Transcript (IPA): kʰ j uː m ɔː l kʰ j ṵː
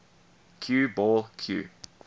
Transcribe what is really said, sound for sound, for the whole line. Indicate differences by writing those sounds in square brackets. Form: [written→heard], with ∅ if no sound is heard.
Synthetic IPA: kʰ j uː [m→b] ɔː l kʰ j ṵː